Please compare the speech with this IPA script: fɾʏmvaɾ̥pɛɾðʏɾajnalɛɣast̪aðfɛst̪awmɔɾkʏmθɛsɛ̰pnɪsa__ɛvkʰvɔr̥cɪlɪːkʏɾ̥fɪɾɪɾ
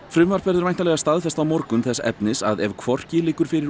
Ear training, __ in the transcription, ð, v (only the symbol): ð